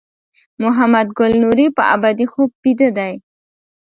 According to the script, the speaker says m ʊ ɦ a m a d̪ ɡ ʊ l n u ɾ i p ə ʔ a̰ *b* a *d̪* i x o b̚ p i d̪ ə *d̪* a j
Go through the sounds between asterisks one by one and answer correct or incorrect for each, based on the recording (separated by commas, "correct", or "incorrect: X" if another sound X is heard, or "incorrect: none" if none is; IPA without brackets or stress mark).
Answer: correct, correct, correct